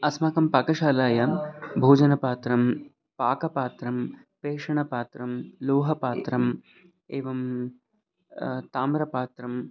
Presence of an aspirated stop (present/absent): absent